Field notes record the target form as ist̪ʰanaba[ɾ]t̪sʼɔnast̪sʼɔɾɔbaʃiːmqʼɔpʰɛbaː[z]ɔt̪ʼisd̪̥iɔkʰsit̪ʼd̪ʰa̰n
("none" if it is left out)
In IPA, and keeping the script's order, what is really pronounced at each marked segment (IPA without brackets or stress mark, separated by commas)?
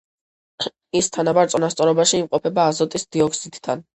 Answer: ɾ, z